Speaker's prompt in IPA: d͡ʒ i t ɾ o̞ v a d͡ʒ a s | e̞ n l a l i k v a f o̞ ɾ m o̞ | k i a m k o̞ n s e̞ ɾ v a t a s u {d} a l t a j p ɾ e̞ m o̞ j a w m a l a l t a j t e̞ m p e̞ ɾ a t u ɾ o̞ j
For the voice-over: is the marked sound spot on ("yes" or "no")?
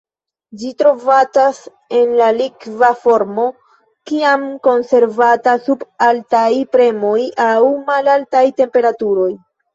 no